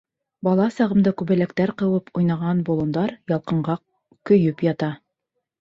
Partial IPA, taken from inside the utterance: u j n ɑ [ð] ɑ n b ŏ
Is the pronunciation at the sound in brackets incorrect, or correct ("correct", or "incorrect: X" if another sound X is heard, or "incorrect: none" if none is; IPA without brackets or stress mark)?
incorrect: ʁ